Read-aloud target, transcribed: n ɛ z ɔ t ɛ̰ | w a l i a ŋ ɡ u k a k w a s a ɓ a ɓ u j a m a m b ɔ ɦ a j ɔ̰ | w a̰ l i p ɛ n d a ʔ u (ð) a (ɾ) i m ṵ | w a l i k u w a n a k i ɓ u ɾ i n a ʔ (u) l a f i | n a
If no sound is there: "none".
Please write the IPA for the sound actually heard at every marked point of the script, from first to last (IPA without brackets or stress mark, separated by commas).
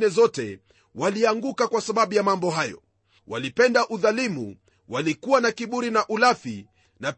ð, l, u